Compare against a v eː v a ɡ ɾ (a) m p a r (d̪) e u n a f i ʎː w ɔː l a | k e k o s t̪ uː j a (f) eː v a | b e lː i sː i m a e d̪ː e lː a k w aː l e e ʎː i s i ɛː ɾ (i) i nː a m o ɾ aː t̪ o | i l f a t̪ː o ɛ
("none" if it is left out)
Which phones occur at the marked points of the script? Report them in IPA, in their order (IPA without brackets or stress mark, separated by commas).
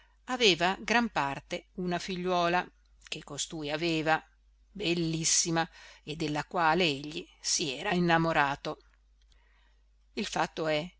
a, t̪, v, a